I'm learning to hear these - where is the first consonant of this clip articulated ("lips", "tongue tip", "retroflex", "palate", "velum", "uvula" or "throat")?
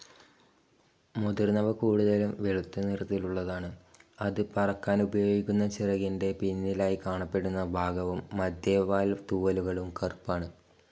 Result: lips